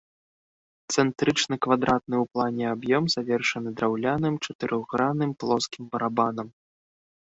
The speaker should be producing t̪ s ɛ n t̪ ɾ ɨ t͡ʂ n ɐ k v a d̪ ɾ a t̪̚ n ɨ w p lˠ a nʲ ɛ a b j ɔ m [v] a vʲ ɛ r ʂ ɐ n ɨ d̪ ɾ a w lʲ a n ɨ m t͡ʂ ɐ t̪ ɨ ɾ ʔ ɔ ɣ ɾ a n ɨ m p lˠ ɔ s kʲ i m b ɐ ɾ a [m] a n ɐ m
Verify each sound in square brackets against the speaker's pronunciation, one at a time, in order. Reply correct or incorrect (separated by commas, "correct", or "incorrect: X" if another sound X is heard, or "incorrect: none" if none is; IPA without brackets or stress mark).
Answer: incorrect: z, incorrect: b